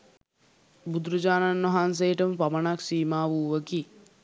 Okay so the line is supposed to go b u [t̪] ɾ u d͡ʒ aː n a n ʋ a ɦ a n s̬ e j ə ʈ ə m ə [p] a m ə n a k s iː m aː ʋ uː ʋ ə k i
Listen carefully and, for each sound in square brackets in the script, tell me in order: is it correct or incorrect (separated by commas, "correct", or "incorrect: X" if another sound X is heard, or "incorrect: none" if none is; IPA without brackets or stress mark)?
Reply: incorrect: d̪, correct